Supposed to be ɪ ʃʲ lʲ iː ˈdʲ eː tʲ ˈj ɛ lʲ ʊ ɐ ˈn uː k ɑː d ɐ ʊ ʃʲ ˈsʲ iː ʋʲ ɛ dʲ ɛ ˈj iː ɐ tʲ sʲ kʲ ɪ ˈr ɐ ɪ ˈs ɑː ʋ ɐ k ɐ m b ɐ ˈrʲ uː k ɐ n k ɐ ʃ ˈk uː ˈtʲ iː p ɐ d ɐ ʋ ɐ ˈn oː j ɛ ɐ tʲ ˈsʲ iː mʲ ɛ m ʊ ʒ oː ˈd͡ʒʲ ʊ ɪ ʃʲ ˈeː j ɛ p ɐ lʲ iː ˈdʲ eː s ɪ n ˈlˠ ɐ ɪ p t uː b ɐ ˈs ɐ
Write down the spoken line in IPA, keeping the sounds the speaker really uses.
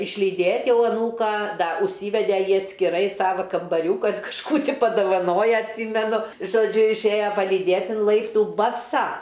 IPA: ɪ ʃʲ lʲ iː ˈdʲ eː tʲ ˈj ɛ ʊ ɐ ˈn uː k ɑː d ɐ ʊ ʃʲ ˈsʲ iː ʋʲ ɛ dʲ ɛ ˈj iː ɐ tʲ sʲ kʲ ɪ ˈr ɐ ɪ ˈs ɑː ʋ ɐ k ɐ m b ɐ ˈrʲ uː k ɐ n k ɐ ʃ ˈk uː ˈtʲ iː p ɐ d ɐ ʋ ɐ ˈn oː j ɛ ɐ tʲ ˈsʲ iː mʲ ɛ n ʊ ʒ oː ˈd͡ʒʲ ʊ ɪ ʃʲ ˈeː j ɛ p ɐ lʲ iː ˈdʲ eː t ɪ n ˈlˠ ɐ ɪ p t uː b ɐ ˈs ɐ